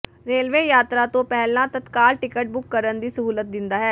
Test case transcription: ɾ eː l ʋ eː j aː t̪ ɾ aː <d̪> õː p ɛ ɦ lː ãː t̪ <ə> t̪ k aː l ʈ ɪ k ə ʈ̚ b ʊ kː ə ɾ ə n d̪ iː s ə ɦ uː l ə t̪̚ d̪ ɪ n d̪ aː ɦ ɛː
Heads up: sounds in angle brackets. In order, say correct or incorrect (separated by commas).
incorrect, correct